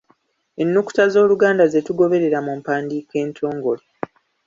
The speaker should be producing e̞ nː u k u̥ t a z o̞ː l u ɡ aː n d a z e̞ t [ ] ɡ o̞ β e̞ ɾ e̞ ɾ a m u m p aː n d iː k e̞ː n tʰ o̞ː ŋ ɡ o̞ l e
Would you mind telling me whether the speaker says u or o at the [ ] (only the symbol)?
u